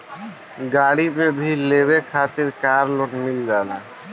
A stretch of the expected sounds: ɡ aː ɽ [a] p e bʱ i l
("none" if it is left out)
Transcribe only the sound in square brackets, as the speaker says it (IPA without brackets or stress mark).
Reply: i